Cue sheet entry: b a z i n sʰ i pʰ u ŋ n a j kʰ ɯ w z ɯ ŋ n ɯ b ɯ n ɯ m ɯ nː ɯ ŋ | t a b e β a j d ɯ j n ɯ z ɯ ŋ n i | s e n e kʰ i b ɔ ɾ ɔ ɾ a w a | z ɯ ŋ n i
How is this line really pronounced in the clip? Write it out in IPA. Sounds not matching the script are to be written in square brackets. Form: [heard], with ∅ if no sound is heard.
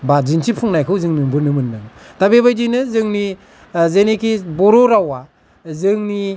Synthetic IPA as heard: b a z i n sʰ i pʰ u ŋ n a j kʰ ɯ w z ɯ ŋ n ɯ b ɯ n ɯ m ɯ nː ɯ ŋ | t a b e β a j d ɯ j n ɯ z ɯ ŋ n i | [z] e n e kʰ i b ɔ ɾ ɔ ɾ a w a | z ɯ ŋ n i